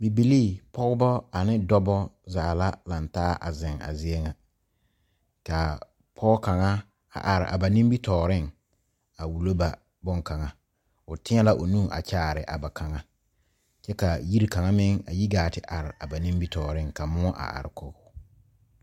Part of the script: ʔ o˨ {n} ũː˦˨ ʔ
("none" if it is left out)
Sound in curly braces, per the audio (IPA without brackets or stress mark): n